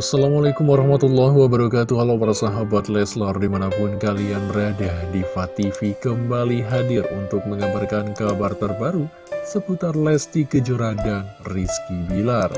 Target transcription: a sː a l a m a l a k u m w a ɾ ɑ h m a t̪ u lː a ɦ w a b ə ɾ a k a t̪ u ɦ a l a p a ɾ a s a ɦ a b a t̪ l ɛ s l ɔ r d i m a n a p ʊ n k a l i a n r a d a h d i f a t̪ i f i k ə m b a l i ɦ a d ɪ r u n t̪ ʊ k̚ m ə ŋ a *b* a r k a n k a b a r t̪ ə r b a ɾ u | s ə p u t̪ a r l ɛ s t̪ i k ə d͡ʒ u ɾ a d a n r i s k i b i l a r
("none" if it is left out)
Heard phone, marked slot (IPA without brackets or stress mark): b